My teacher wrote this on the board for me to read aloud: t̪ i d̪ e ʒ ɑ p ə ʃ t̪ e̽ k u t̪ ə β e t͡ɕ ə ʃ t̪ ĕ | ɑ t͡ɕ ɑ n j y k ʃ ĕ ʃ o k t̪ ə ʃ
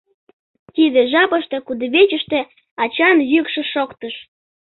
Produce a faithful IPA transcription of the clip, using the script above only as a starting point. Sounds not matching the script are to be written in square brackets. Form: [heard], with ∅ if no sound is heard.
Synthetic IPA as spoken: t̪ i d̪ e ʒ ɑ p ə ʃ t̪ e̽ k u [d̪] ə β e t͡ɕ ə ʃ t̪ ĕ | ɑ t͡ɕ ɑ n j y k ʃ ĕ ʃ o k t̪ ə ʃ